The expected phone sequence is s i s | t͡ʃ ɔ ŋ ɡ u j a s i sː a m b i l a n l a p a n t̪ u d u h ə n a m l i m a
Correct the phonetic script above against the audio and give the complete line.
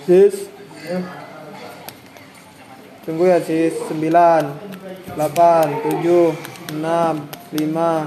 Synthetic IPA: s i s | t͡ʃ u ŋ ɡ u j a s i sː ə m b i l a n l a p a n t̪ u d͡ʒ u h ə n a m l i m a